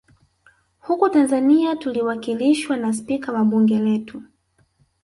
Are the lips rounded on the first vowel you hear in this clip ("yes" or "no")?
yes